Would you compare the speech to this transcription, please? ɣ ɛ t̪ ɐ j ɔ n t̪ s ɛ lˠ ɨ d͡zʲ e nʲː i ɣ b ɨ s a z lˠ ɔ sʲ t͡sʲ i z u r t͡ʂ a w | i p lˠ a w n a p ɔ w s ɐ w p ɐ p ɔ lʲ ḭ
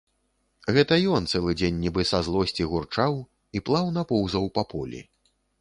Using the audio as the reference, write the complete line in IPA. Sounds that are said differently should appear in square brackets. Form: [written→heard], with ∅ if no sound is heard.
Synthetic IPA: ɣ ɛ t̪ ɐ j ɔ n t̪ s ɛ lˠ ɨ d͡zʲ e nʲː i [ɣ→∅] b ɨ s a z lˠ ɔ sʲ t͡sʲ i [z→ɣ] u r t͡ʂ a w | i p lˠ a w n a p ɔ w [s→z] ɐ w p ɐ p ɔ lʲ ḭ